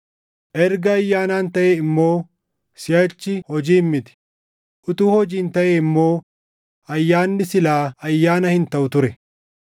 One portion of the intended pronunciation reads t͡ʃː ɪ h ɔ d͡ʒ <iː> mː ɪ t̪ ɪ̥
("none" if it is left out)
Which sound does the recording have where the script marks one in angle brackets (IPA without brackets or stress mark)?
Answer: iː